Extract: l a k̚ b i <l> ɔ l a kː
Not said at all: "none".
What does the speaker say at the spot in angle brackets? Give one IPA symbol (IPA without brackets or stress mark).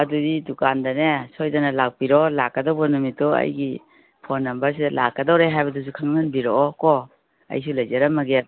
ɾ